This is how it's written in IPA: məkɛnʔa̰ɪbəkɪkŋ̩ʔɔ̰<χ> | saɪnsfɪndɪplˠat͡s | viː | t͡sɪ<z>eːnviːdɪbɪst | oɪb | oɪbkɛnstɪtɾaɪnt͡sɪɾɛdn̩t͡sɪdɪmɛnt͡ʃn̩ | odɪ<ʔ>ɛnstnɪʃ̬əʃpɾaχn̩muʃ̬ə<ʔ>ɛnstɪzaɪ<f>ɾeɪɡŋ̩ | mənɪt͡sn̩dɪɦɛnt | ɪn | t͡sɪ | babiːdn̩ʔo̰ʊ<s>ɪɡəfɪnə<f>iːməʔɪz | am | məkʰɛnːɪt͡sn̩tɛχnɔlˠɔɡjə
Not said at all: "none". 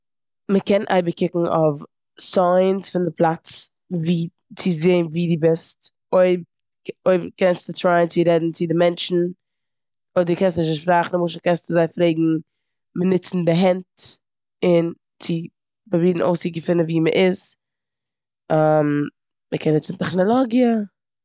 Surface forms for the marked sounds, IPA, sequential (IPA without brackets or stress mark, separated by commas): f, z, k, k, f, s, v